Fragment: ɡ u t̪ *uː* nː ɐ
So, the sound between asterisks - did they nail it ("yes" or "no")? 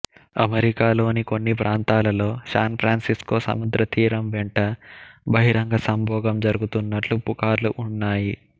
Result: no